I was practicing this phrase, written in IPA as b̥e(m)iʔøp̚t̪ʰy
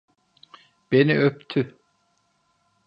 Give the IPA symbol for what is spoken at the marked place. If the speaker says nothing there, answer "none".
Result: n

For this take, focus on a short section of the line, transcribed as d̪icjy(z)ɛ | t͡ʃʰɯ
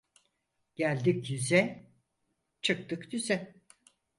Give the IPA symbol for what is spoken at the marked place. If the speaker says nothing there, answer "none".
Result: z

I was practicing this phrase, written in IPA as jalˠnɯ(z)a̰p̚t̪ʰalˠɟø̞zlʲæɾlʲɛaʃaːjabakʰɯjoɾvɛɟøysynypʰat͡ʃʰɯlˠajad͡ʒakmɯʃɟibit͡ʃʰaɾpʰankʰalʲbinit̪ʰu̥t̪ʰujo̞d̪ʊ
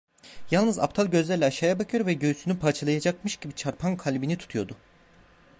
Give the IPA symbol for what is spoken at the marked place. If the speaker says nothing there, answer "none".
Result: z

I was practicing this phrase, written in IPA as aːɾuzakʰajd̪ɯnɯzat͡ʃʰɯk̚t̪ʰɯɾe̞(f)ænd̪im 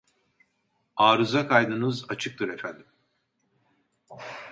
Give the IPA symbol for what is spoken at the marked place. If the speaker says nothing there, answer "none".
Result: f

